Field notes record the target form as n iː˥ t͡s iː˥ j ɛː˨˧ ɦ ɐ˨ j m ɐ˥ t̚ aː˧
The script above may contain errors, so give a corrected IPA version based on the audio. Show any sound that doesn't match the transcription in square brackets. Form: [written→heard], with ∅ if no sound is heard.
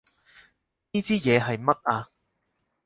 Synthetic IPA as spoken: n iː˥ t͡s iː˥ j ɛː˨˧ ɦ ɐ˨ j m ɐ˥ t̚ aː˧